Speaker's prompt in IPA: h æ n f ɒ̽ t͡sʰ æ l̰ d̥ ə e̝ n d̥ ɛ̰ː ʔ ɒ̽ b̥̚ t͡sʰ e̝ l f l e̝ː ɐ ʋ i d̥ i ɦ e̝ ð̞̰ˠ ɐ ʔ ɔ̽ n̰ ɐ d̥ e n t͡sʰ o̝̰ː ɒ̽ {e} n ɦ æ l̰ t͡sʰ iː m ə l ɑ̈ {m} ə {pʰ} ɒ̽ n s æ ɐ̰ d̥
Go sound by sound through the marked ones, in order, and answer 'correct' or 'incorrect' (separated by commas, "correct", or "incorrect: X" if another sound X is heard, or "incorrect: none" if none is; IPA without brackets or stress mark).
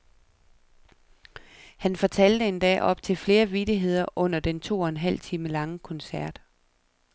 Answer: correct, incorrect: ŋ, incorrect: kʰ